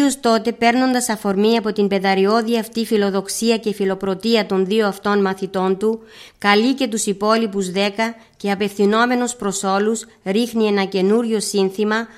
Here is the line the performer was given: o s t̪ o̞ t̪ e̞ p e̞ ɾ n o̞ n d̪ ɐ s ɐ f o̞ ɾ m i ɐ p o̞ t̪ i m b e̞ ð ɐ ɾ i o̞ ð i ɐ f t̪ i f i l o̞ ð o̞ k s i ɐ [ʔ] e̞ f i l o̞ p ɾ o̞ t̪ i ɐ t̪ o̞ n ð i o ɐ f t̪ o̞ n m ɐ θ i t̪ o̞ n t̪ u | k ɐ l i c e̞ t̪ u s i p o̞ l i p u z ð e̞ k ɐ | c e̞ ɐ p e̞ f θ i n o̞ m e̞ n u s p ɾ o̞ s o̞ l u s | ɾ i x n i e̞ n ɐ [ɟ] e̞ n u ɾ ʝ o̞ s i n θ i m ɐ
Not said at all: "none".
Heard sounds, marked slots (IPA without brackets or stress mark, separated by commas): c, c